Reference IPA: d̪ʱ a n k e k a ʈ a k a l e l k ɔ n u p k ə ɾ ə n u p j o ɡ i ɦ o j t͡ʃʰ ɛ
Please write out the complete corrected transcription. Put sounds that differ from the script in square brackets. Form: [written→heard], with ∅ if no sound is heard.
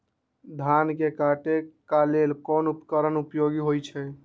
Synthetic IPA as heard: d̪ʱ a n k e k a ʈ [a→e] k a l e l k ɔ n u p k ə ɾ ə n u p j o ɡ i ɦ o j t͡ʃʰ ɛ

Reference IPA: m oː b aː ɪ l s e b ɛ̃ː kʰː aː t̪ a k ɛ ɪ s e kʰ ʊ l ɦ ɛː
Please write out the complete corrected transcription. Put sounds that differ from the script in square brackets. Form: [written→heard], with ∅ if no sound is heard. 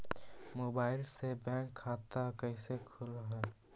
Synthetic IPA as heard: m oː b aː ɪ l s e b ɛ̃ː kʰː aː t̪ a k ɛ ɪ s e kʰ ʊ l ɦ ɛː

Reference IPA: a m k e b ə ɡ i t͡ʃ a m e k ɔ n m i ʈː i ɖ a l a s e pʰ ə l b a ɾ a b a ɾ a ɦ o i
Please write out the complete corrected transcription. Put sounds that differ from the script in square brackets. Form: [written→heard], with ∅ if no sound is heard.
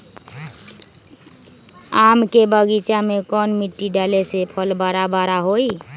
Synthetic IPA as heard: a m k e b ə ɡ i t͡ʃ a m e k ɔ n m i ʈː i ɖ a l [a→e] s e pʰ ə l b a ɾ a b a ɾ a ɦ o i

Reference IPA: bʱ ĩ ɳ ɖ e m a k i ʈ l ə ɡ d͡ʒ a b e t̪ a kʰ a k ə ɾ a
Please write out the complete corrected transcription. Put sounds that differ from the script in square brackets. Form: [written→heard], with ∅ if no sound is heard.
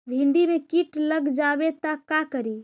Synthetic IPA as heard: bʱ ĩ ɳ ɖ [e→i] m [a→e] k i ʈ l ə ɡ d͡ʒ a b e t̪ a [kʰ→k] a k ə ɾ [a→i]

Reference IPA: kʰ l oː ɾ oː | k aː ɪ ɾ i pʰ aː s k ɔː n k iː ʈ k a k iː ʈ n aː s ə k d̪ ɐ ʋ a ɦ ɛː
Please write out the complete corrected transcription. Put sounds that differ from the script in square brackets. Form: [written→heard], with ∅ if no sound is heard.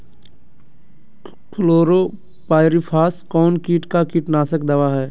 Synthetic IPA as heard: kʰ l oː ɾ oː | [k→p] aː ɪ ɾ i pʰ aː s k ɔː n k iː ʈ k a k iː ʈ n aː s ə k d̪ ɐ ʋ a ɦ ɛː

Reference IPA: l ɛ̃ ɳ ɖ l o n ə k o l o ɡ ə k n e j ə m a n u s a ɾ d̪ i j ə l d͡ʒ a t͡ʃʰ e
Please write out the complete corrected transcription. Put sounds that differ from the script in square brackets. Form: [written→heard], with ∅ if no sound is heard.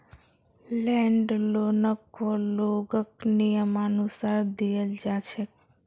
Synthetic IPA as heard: l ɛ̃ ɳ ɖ l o n ə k o l o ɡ ə k n [e→i] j ə m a n u s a ɾ d̪ i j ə l d͡ʒ a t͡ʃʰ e

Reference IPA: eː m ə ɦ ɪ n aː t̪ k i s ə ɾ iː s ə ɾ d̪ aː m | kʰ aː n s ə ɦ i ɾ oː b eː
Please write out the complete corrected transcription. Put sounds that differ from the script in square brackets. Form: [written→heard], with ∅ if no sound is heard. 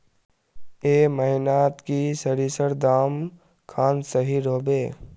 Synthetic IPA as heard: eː m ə ɦ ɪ n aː t̪ k i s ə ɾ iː s ə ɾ d̪ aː m | kʰ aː n s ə ɦ i ɾ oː b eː

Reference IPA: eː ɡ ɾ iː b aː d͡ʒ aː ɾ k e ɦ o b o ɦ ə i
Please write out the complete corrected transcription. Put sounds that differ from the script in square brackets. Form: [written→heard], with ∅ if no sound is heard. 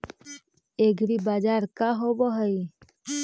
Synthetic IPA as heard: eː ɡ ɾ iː b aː d͡ʒ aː ɾ k [e→a] ɦ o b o ɦ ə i

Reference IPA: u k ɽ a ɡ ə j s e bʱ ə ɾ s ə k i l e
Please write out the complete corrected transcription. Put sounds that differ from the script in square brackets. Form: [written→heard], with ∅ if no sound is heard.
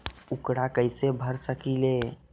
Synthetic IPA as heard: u k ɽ a [ɡ→k] ə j s e bʱ ə ɾ s ə k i l e

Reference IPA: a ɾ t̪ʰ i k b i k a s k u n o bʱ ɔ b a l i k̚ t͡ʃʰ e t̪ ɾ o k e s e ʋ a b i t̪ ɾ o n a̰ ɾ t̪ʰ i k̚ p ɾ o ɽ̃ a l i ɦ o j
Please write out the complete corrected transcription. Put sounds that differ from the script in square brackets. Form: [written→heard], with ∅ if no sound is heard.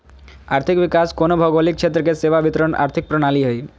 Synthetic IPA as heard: a ɾ t̪ʰ i k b i k a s k [u→o] n o bʱ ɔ [b→ɡ] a l i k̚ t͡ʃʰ e t̪ ɾ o k e s e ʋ a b i t̪ ɾ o n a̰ ɾ t̪ʰ i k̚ p ɾ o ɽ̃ a l i ɦ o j

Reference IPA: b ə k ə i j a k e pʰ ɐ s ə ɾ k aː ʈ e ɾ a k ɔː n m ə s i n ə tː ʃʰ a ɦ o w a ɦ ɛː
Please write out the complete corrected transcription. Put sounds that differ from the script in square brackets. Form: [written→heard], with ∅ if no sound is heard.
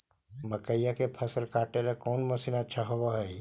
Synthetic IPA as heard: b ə k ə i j a k e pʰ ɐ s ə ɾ k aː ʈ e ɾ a k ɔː n m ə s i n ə tː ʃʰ a ɦ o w a ɦ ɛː

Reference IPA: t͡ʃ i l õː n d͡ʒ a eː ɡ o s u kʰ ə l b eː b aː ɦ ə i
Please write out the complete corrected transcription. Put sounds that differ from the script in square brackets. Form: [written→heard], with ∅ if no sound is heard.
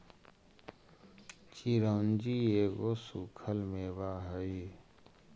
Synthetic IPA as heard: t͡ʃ i [l→ɾ] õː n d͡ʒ [a→i] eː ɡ o s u kʰ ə l [b→m] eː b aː ɦ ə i

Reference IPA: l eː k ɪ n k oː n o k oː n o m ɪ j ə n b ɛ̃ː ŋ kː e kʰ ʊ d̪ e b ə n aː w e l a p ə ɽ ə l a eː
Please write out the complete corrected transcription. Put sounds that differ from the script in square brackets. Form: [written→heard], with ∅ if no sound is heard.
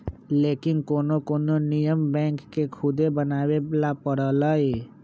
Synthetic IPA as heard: l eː k ɪ n k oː n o k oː n o [m→n] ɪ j ə [n→m] b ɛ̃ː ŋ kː e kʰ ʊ d̪ e b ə n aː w e l a p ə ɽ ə l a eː

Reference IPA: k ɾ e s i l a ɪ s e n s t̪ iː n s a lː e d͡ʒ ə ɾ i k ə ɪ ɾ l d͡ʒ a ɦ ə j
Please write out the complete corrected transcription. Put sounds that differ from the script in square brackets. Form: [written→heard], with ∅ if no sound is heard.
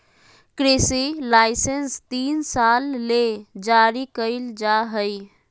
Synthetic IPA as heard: k ɾ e s i l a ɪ s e n s t̪ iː n s a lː e d͡ʒ [ə→a] ɾ i k ə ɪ [ɾ→∅] l d͡ʒ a ɦ ə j

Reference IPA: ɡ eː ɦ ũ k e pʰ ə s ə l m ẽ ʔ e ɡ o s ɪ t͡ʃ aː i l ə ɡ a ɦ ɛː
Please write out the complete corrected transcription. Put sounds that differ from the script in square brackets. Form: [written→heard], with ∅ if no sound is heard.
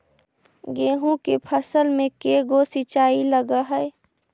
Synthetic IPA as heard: ɡ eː ɦ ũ k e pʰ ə s ə l m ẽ [ʔ→k] e ɡ o s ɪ t͡ʃ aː i l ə ɡ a ɦ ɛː

